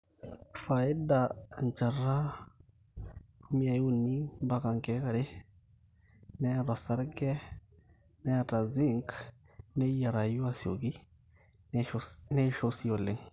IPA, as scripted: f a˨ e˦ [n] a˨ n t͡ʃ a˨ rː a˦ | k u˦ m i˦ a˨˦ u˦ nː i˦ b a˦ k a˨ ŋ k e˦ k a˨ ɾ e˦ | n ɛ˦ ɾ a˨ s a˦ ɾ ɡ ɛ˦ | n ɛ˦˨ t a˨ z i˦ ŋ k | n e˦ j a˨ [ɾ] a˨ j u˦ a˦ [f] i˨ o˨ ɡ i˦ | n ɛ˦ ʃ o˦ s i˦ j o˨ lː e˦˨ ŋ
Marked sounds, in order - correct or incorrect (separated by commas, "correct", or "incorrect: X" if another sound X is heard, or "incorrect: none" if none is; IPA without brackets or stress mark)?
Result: incorrect: d, correct, incorrect: s